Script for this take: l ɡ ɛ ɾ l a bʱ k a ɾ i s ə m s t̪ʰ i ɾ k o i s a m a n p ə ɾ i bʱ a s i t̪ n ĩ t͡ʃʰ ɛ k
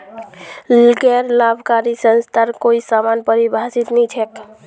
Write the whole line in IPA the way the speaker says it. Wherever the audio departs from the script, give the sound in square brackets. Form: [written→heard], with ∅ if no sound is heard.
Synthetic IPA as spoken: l ɡ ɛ ɾ l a bʱ k a ɾ i s ə [m→n] s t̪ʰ [i→a] ɾ k o i s a m a n p ə ɾ i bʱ a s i t̪ n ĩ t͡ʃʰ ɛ k